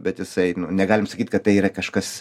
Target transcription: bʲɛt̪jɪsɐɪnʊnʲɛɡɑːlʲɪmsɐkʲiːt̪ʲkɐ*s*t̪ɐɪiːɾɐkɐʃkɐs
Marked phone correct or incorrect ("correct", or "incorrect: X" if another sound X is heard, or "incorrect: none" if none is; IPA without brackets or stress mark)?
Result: incorrect: t